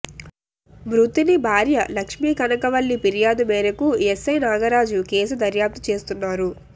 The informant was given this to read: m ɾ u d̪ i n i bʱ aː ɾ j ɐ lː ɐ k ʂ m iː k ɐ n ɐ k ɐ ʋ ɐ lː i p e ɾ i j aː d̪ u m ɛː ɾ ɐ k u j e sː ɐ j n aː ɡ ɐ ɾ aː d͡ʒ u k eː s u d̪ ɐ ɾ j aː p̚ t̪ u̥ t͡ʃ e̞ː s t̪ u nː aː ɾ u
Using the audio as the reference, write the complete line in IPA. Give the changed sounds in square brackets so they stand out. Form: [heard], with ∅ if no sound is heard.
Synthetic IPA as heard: m ɾ u [t̪] i n i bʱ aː ɾ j ɐ [l] ɐ k ʂ m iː k ɐ n ɐ k ɐ ʋ ɐ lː i p [i] ɾ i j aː d̪ u m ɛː ɾ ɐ k u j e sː ɐ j n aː ɡ ɐ ɾ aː d͡ʒ u k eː s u d̪ ɐ ɾ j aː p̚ t̪ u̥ t͡ʃ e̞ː s t̪ u nː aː ɾ u